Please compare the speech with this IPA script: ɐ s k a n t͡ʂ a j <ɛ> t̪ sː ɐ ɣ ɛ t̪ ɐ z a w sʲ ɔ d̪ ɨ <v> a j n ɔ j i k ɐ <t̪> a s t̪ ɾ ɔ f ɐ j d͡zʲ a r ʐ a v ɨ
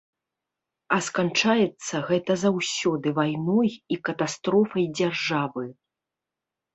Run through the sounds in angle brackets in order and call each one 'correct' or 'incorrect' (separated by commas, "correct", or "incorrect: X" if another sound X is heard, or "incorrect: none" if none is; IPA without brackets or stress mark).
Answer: correct, correct, correct